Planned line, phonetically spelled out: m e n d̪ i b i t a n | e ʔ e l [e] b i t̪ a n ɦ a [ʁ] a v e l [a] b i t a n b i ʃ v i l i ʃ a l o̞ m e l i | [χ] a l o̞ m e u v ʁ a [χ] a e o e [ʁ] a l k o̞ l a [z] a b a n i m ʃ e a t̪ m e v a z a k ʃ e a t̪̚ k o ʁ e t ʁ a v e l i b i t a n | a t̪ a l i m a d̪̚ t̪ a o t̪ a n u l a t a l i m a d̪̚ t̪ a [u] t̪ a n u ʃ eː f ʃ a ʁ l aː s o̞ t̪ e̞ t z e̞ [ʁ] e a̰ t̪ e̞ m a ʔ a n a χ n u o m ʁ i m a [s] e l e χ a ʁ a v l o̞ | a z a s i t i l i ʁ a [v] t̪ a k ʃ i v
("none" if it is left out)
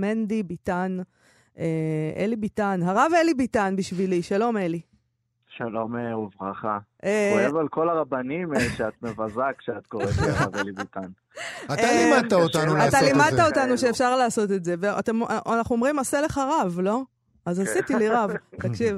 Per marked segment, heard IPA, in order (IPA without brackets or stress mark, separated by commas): i, ʁ, i, ʃ, χ, v, ʁ, o, v, s, v